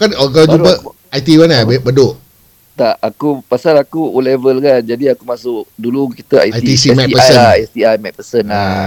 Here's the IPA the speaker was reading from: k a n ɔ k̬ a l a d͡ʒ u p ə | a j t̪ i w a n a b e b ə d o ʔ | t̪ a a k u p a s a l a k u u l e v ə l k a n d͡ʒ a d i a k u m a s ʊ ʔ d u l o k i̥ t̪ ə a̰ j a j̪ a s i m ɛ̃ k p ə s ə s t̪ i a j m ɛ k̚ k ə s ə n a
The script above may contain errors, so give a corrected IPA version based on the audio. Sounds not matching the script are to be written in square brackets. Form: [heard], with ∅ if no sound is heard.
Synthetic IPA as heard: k a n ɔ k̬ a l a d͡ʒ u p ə | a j t̪ i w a n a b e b ə d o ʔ | t̪ a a k u p a s a l a k u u l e v ə l k a n d͡ʒ a d i a k u m a s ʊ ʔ d u l [u] k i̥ t̪ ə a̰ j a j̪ [i] s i m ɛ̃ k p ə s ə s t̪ i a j m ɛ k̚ [p] ə s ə n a